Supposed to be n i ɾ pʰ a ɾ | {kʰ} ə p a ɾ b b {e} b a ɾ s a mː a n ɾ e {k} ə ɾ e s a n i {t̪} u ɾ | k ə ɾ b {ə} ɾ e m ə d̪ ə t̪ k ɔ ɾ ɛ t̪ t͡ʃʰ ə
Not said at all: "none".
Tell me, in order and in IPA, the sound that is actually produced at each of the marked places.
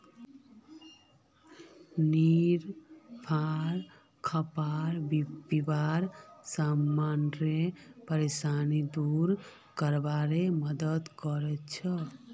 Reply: kʰ, i, p, d̪, a

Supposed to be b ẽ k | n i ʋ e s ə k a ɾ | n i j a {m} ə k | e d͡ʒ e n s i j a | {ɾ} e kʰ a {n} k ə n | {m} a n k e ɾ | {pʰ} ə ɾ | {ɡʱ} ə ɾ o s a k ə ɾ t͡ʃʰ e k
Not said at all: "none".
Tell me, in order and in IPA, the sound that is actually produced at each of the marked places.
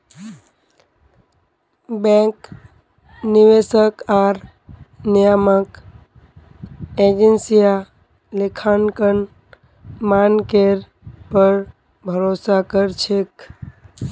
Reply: m, l, n, m, p, bʱ

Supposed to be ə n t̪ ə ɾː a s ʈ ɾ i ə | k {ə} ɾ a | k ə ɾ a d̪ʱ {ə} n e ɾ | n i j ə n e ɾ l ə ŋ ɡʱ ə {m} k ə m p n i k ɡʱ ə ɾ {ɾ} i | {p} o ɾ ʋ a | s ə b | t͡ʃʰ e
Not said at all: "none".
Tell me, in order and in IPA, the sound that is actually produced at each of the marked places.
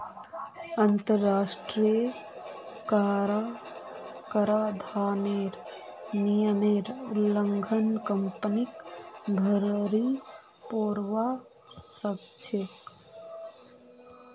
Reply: a, a, n, ɾ, p

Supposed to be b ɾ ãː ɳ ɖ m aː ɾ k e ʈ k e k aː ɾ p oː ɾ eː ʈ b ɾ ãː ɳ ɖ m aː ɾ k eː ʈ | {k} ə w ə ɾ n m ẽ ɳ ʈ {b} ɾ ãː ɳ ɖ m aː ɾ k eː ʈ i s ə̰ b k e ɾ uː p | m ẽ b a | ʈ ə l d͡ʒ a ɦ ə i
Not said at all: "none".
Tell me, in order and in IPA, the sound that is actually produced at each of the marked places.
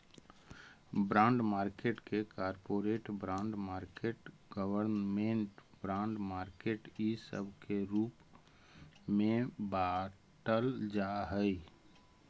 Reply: ɡ, b

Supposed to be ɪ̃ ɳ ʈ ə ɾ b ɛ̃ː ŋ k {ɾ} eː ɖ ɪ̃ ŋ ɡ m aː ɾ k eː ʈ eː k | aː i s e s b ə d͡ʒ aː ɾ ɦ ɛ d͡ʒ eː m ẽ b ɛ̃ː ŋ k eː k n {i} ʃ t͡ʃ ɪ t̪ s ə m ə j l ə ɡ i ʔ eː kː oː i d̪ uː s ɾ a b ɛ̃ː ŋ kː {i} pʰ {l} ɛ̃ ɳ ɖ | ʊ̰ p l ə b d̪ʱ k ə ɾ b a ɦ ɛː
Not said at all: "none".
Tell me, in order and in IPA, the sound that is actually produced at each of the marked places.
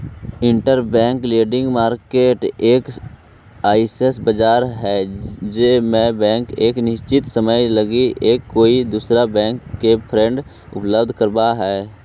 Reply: l, ɪ, e, ɾ

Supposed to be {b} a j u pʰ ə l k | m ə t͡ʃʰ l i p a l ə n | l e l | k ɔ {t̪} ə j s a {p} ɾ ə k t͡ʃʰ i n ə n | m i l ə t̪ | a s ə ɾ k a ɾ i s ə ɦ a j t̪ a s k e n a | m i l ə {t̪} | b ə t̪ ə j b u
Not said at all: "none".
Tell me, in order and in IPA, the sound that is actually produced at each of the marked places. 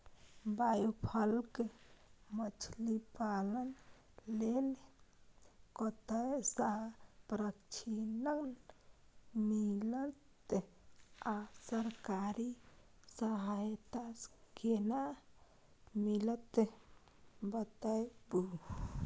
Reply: b, t̪, p, t̪

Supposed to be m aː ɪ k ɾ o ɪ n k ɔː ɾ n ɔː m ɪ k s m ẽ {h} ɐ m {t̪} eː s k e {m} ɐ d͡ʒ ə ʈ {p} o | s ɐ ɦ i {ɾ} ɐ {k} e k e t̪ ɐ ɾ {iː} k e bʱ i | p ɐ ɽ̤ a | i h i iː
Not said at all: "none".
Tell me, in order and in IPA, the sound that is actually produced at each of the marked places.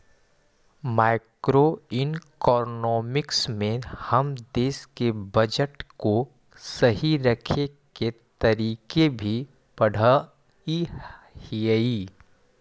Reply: h, d̪, b, k, ɾ, kʰ, iː

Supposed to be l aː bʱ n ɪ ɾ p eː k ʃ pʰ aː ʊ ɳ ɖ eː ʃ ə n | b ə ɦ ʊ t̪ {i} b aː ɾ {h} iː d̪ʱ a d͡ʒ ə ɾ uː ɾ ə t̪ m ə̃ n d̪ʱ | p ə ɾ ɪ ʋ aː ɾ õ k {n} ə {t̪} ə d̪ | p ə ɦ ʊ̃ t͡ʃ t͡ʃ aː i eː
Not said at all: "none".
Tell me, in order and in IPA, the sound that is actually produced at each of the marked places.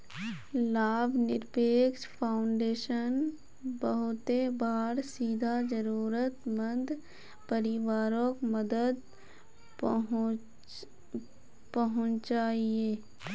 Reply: e, s, m, d̪

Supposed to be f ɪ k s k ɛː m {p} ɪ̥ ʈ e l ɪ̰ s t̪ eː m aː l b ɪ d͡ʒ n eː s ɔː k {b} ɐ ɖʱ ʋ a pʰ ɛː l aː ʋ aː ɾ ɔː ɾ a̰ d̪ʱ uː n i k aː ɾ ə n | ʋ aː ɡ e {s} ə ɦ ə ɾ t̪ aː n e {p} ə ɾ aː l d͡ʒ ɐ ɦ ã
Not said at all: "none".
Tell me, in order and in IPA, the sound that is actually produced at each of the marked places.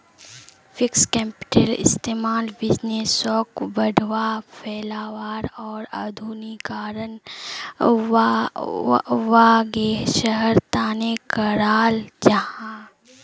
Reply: p, b, ʃ, k

